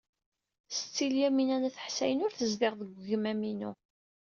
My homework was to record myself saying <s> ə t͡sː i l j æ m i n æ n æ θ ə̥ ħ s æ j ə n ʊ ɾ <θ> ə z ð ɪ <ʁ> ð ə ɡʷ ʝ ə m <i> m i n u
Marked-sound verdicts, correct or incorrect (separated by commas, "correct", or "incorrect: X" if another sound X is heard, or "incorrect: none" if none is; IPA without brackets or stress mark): correct, correct, correct, incorrect: æ